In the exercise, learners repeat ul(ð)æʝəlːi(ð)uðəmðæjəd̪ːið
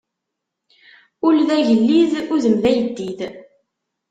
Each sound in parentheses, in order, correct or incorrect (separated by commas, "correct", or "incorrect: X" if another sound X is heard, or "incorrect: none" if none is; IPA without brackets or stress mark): correct, correct